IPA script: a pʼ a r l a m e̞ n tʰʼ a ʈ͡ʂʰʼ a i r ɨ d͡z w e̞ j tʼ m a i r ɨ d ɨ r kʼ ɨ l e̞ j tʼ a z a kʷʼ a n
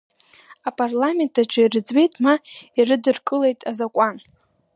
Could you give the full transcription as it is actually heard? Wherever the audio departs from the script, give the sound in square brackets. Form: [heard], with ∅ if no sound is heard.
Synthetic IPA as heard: a pʼ a r l a m e̞ n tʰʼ a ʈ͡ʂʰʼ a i r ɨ d͡z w e̞ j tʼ m a i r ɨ d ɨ r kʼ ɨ l e̞ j tʼ a z a kʷʼ a n